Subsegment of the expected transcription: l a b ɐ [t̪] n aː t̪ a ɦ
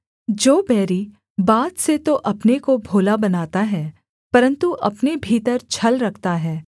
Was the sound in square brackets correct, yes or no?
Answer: no